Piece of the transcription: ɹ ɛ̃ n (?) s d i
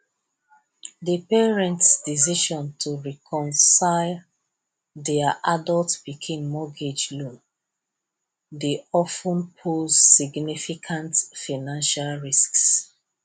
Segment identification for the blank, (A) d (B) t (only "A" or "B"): B